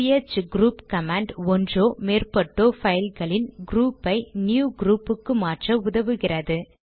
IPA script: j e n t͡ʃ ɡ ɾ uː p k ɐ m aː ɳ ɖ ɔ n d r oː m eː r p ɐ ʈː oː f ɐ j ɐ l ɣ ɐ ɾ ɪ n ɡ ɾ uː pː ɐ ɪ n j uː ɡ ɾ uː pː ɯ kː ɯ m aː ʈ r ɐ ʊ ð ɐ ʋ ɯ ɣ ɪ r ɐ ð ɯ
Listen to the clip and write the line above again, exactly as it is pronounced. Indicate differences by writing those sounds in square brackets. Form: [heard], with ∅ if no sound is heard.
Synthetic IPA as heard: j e [∅] t͡ʃ ɡ ɾ uː p k ɐ m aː ɳ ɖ ɔ n d r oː m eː r p ɐ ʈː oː f ɐ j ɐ l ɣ ɐ [ɭ] ɪ n ɡ ɾ uː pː ɐ ɪ n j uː ɡ ɾ uː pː ɯ kː ɯ m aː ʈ r ɐ ʊ ð ɐ ʋ ɯ ɣ ɪ r ɐ ð ɯ